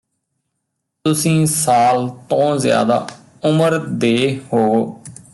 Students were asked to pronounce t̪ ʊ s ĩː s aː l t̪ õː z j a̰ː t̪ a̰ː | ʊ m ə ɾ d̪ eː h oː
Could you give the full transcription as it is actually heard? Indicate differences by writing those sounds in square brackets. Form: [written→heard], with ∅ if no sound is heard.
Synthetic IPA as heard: t̪ ʊ s ĩː s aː l t̪ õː z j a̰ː [t̪→d̪] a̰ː | ʊ m ə ɾ d̪ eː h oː